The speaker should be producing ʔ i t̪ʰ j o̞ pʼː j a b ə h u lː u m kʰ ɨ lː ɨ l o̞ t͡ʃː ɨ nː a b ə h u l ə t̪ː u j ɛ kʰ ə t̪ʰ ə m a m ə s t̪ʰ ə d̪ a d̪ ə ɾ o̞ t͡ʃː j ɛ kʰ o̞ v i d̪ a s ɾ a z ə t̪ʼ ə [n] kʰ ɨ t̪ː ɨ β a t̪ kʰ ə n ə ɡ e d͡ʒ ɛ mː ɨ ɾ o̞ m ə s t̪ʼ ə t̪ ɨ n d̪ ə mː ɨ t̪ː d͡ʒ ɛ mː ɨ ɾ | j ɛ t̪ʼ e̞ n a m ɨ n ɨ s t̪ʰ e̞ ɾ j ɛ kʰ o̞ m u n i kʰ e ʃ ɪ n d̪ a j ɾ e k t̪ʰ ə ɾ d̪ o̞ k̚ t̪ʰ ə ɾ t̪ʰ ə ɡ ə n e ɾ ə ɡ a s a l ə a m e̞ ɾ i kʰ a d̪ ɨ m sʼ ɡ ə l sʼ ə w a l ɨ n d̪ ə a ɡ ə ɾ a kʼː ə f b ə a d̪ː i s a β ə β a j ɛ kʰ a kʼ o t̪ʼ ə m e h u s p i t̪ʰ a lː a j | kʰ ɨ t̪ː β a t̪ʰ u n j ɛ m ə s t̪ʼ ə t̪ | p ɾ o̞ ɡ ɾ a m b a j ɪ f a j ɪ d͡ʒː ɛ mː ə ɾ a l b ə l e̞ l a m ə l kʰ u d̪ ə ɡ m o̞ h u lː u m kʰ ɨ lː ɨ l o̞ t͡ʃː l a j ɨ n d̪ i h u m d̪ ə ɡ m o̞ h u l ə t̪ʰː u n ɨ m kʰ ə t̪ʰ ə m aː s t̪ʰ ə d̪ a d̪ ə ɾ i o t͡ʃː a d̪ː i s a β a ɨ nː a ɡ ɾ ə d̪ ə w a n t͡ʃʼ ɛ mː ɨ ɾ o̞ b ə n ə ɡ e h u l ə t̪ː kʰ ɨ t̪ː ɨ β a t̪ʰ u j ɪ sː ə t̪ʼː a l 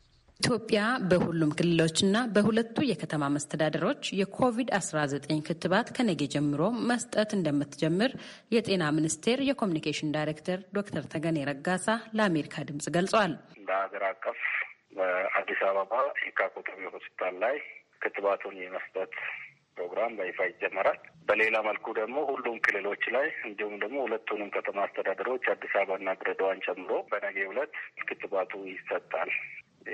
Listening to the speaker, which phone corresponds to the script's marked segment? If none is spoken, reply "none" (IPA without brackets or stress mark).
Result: ɲ